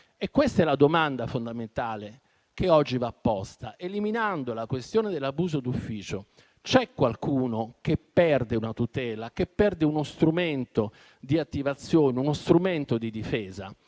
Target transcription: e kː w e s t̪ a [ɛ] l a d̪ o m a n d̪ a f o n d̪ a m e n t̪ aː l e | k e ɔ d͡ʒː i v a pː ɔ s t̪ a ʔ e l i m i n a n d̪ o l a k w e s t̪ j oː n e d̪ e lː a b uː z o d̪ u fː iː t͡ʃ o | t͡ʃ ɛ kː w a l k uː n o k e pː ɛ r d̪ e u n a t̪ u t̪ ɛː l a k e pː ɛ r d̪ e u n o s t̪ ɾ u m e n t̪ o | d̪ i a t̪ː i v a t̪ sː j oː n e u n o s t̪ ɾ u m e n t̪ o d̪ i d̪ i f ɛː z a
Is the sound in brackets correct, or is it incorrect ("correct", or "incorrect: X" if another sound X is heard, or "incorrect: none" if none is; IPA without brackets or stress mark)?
correct